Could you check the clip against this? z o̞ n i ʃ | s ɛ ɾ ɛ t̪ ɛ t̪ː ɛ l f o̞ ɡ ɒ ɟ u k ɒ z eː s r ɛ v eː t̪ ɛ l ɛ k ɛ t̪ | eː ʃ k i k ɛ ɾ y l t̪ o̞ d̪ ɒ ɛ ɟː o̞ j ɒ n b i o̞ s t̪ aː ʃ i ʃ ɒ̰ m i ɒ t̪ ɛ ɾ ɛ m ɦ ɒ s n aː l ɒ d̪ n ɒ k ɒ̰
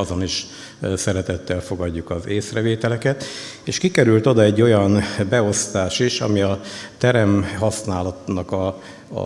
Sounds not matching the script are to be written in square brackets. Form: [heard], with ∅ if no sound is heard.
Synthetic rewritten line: z o̞ n i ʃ | s ɛ ɾ ɛ t̪ ɛ t̪ː ɛ l f o̞ ɡ ɒ [ɟː] u k ɒ z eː s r ɛ v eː t̪ ɛ l ɛ k ɛ t̪ | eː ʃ k i k ɛ ɾ y l t̪ o̞ d̪ ɒ ɛ ɟː o̞ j ɒ n b [ɛ] o̞ s t̪ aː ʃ i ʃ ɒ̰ m i ɒ t̪ ɛ ɾ ɛ m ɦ ɒ s n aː l ɒ [t̪] n ɒ k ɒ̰